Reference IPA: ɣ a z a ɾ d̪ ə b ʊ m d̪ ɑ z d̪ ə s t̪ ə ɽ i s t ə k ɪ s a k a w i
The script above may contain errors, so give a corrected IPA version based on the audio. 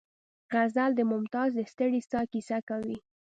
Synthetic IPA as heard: ɣ a z a l d̪ ə m ʊ m t̪ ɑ z d̪ ə s t̪ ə ɽ i s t ɑ k i s a k a w i